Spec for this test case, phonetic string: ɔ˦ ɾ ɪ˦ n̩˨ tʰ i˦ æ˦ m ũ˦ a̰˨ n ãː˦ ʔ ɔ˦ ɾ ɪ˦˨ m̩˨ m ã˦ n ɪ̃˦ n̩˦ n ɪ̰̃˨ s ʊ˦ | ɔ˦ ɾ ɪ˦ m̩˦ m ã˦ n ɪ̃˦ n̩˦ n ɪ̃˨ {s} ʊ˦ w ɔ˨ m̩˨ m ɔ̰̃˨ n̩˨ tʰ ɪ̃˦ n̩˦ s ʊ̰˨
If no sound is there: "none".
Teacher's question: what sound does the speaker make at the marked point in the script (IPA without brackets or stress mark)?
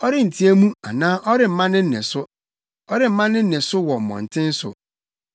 s